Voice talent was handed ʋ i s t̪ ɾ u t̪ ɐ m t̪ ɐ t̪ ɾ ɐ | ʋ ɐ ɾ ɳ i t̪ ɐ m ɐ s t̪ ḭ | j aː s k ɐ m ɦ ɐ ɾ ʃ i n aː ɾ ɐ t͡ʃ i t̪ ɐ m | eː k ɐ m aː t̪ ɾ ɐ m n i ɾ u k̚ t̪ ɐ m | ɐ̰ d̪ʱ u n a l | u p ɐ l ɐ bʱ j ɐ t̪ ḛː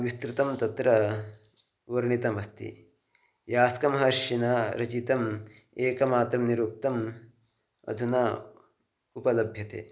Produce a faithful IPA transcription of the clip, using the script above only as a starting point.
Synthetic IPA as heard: ʋ i s t̪ ɾ u t̪ ɐ m t̪ ɐ t̪ ɾ ɐ | ʋ ɐ ɾ ɳ i t̪ ɐ m ɐ s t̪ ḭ | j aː s k ɐ m ɦ ɐ ɾ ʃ i n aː ɾ ɐ t͡ʃ i t̪ ɐ m | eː k ɐ m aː t̪ ɾ ɐ m n i ɾ u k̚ t̪ ɐ m | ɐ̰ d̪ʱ u n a | u p ɐ l ɐ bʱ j ɐ t̪ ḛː